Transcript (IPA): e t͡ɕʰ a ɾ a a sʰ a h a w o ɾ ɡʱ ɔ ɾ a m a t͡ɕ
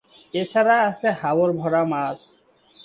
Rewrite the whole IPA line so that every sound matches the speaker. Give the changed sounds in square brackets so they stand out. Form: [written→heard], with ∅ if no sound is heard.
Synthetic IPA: e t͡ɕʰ a ɾ a a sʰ [a→e] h a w o ɾ [ɡʱ→bʱ] ɔ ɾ a m a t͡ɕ